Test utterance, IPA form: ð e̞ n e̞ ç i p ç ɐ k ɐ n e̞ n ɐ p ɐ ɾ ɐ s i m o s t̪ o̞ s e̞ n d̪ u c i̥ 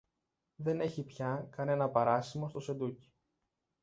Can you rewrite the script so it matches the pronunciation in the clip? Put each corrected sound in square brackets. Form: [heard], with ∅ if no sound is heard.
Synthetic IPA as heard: ð e̞ n e̞ ç i p ç ɐ k ɐ n e̞ n ɐ p ɐ ɾ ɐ s i m o s t̪ o̞ s e̞ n d̪ u c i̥